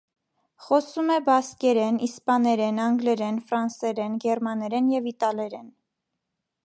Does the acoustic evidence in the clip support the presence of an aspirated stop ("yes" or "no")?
no